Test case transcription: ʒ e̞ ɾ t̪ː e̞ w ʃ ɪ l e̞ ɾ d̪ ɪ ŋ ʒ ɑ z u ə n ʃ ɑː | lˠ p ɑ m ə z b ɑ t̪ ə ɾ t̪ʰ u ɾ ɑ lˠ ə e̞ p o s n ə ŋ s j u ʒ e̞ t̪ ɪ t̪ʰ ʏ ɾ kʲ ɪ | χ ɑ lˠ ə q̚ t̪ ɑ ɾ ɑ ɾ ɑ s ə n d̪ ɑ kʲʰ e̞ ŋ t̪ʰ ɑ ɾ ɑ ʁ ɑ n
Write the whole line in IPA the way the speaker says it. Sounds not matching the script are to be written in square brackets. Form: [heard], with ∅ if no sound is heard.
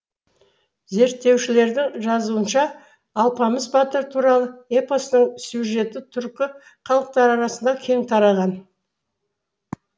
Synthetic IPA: [z] e̞ ɾ t̪ː e̞ w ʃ ɪ l e̞ ɾ d̪ ɪ ŋ ʒ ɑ z u ə n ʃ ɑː | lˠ p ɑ m ə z b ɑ t̪ ə ɾ t̪ʰ u ɾ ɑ lˠ ə e̞ p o s n ə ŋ s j u ʒ e̞ t̪ ɪ t̪ʰ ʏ ɾ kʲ ɪ | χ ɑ lˠ ə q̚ t̪ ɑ ɾ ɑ ɾ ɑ s ə n d̪ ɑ kʲʰ e̞ ŋ t̪ʰ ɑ ɾ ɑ ʁ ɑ n

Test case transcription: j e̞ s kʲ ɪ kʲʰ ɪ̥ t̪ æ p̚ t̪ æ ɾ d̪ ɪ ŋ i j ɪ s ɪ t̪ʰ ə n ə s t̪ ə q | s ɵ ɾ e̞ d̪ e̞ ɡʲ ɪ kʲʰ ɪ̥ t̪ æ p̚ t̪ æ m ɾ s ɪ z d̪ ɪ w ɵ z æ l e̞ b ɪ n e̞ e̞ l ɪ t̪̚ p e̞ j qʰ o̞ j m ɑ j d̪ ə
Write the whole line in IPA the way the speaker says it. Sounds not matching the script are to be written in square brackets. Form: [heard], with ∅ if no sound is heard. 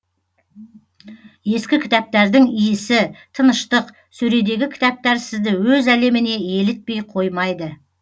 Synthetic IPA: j e̞ s kʲ ɪ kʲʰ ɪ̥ t̪ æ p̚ t̪ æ ɾ d̪ ɪ ŋ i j ɪ s ɪ t̪ʰ ə n ə [ʃ] t̪ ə q | s ɵ ɾ e̞ d̪ e̞ ɡʲ ɪ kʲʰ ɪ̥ t̪ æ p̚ t̪ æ [∅] ɾ s ɪ z d̪ ɪ w ɵ z æ l e̞ [m] ɪ n e̞ e̞ l ɪ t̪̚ p e̞ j qʰ o̞ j m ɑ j d̪ ə

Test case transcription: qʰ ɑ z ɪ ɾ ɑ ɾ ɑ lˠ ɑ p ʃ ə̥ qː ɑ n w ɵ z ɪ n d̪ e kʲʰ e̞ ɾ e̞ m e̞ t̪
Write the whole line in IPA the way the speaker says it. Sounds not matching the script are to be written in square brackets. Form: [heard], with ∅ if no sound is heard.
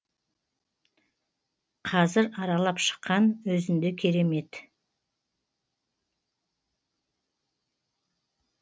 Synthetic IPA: qʰ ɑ z ɪ ɾ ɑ ɾ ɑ lˠ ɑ p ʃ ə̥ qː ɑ n w ɵ z ɪ n d̪ e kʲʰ e̞ ɾ e̞ m e̞ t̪

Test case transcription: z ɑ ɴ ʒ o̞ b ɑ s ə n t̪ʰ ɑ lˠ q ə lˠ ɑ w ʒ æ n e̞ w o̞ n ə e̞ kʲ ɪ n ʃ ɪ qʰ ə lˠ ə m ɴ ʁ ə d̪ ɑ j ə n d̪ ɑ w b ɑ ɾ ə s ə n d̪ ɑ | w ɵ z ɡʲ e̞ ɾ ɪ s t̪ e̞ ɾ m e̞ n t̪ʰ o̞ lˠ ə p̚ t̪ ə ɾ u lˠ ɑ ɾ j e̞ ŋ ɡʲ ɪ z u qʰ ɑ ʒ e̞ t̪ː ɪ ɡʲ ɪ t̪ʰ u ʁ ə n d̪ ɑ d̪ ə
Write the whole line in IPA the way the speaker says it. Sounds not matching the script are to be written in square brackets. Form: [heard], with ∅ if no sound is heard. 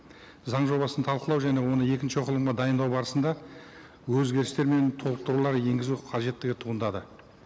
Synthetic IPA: z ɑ ɴ ʒ o̞ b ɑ s ə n t̪ʰ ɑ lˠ q ə lˠ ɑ w ʒ æ n e̞ w o̞ n ə e̞ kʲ ɪ n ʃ ɪ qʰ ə lˠ ə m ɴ ʁ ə d̪ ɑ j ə n d̪ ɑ w b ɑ ɾ ə s ə n d̪ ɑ | w ɵ z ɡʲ e̞ ɾ ɪ s t̪ e̞ ɾ m e̞ n t̪ʰ o̞ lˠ ə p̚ t̪ ə ɾ u lˠ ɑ ɾ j e̞ ŋ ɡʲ ɪ z u qʰ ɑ ʒ e̞ t̪ː ɪ ɡʲ ɪ t̪ʰ u ʁ ə n d̪ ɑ d̪ ə

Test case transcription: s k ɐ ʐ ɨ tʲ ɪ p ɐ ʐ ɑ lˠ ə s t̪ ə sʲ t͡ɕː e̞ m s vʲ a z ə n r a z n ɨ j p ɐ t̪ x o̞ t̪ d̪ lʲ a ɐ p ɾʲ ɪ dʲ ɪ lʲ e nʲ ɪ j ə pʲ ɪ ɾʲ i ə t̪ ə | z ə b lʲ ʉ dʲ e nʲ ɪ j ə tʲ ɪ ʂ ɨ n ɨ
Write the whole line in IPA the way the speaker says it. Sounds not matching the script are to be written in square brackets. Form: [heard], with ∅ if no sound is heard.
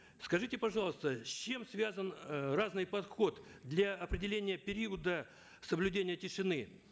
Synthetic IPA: s k ɐ ʐ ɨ tʲ ɪ p ɐ ʐ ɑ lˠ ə s t̪ ə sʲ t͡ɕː e̞ m s vʲ a z ə n r a z n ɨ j p ɐ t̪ x o̞ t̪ d̪ lʲ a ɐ p ɾʲ ɪ dʲ ɪ lʲ e nʲ ɪ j ə pʲ ɪ ɾʲ i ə [d̪] ə | [s] ə b lʲ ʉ dʲ e nʲ ɪ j ə tʲ ɪ ʂ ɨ n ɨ

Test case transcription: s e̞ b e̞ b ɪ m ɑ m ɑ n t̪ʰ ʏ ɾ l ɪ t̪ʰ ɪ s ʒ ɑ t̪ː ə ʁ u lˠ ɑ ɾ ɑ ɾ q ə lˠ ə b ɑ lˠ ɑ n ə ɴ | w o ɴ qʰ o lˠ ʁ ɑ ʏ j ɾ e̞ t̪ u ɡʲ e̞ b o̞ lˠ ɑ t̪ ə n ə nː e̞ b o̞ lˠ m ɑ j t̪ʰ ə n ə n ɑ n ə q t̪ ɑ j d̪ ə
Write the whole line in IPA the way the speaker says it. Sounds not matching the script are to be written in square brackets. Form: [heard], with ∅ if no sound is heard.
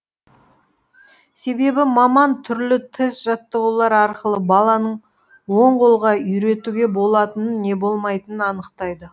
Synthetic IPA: s e̞ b e̞ b ɪ m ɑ m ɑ n t̪ʰ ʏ ɾ l ɪ t̪ʰ ɪ s ʒ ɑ t̪ː ə ʁ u lˠ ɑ ɾ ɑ ɾ q ə lˠ ə b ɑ lˠ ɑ n ə ɴ | w o ɴ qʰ o lˠ ʁ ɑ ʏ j ɾ e̞ t̪ u ɡʲ e̞ b o̞ lˠ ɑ t̪ ə n ə nː e̞ b o̞ lˠ m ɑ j [t̪] ə n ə n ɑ n ə q t̪ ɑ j d̪ ə

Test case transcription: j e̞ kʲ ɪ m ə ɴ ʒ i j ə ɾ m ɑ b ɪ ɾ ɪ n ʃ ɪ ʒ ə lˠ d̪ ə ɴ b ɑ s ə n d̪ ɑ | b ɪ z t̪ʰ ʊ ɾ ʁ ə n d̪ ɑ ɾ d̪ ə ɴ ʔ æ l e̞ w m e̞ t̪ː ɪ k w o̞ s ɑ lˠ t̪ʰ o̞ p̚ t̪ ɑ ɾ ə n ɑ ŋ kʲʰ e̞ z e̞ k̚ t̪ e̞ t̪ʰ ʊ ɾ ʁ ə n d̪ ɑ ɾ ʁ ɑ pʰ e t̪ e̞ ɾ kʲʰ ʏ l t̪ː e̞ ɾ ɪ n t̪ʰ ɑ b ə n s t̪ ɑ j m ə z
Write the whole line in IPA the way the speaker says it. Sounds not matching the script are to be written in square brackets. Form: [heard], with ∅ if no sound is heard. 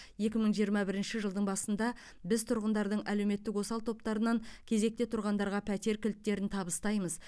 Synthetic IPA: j e̞ kʲ ɪ m ə ɴ ʒ i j ə ɾ m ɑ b ɪ ɾ ɪ n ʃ ɪ ʒ ə lˠ d̪ ə ɴ b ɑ s ə n d̪ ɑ | b ɪ z t̪ʰ ʊ ɾ ʁ ə n d̪ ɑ ɾ d̪ ə ɴ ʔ æ l e̞ w m e̞ t̪ː ɪ k w o̞ s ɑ lˠ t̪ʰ o̞ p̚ t̪ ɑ ɾ ə n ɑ ŋ kʲʰ e̞ z e̞ k̚ t̪ e̞ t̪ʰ ʊ ɾ ʁ [ɑ] n d̪ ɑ ɾ ʁ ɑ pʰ [æ] t̪ e̞ ɾ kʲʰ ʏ l t̪ː e̞ ɾ ɪ n t̪ʰ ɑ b ə [∅] s t̪ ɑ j m ə z

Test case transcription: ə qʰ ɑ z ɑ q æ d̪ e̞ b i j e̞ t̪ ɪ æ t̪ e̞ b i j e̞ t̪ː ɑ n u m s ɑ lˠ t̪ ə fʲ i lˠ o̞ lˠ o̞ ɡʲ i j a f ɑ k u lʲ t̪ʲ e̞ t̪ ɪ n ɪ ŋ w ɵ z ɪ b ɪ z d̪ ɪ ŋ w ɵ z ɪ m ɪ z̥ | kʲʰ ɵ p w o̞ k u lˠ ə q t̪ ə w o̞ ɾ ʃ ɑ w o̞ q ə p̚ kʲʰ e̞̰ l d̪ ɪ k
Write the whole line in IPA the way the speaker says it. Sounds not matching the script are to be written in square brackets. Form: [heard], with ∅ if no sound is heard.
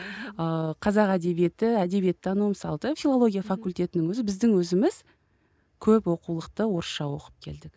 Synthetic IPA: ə qʰ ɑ z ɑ q æ d̪ e̞ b i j e̞ t̪ ɪ æ [d̪] e̞ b i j e̞ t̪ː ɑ n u m s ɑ lˠ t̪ ə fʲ i lˠ o̞ lˠ o̞ ɡʲ i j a f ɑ k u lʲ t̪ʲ e̞ t̪ ɪ n ɪ ŋ w ɵ z ɪ b ɪ z d̪ ɪ ŋ w ɵ z ɪ m ɪ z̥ | kʲʰ ɵ p w o̞ [q] u lˠ ə q t̪ ə w o̞ ɾ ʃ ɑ w o̞ q ə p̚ kʲʰ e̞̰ l d̪ ɪ k

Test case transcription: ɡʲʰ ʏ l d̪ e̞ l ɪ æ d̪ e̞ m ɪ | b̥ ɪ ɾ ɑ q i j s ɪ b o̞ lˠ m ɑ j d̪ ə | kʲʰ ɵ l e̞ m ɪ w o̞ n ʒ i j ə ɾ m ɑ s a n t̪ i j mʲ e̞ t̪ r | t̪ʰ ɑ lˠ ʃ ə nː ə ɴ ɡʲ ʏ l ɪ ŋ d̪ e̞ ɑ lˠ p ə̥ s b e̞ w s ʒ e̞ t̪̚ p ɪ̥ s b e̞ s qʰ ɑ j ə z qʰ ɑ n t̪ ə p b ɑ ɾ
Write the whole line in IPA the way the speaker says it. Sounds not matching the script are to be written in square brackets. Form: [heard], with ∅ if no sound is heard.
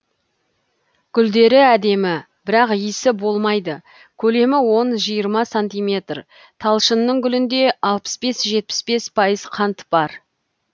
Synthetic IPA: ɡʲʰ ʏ l d̪ e̞ [ɾ] ɪ æ d̪ e̞ m ɪ | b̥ ɪ ɾ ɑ q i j s ɪ b o̞ lˠ m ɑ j d̪ ə | kʲʰ ɵ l e̞ m ɪ w o̞ n ʒ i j ə ɾ m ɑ s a n t̪ i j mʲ e̞ t̪ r | t̪ʰ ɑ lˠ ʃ ə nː ə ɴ ɡʲ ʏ l ɪ [n] d̪ e̞ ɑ lˠ p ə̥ s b e̞ [∅] s ʒ e̞ t̪̚ p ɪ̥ s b e̞ s [pʰ] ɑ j ə z qʰ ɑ n t̪ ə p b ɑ ɾ

